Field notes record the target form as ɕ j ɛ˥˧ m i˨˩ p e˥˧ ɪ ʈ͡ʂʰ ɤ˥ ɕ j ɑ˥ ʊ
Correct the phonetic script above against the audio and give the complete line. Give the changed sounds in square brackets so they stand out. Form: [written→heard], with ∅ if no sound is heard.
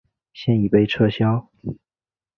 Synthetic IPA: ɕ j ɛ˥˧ [m→n] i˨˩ p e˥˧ ɪ ʈ͡ʂʰ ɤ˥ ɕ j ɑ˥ ʊ